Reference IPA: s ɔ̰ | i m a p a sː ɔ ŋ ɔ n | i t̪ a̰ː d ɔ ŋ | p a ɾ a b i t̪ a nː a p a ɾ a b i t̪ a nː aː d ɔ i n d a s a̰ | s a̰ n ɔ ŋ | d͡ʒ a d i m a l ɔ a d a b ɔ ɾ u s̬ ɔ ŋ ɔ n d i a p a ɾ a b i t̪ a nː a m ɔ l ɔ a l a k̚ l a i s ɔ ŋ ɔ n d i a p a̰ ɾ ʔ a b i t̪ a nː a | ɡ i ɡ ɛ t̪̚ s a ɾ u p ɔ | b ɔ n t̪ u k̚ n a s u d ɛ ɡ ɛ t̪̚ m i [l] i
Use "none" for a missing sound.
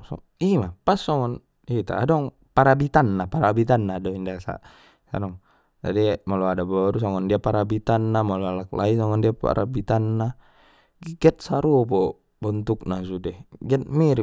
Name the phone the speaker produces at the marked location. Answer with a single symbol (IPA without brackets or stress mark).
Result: ɾ